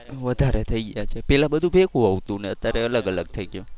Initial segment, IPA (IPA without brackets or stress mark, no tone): ʋ